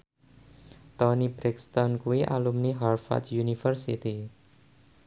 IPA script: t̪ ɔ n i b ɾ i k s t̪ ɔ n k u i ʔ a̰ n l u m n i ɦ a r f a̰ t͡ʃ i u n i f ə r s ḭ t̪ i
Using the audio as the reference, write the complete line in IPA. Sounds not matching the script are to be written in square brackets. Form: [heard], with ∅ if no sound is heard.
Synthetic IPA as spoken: t̪ ɔ n i b ɾ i k s t̪ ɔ n k u i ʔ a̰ [∅] l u m n i ɦ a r f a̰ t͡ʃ [j] u n i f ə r s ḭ t̪ i